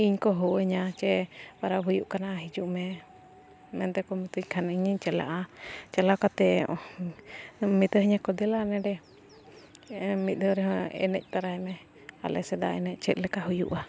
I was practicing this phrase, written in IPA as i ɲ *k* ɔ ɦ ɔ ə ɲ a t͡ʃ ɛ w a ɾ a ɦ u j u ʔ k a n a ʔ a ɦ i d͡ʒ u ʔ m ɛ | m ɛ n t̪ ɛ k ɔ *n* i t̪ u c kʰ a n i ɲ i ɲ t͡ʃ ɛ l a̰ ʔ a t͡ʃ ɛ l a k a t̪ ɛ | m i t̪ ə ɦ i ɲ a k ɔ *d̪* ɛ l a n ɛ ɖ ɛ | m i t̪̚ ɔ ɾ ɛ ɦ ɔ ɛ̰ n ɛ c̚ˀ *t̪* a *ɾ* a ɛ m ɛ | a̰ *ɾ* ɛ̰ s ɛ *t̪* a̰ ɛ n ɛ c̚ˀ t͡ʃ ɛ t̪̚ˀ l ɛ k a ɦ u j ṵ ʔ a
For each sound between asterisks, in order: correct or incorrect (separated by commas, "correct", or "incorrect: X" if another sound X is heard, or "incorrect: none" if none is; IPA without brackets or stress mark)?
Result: correct, incorrect: m, correct, correct, correct, incorrect: l, incorrect: d̪